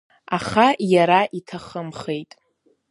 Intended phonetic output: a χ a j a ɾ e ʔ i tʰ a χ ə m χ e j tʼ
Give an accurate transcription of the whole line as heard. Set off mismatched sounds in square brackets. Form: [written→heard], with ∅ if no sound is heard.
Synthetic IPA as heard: a χ a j a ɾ [e→a] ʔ i tʰ a χ ə m χ e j tʼ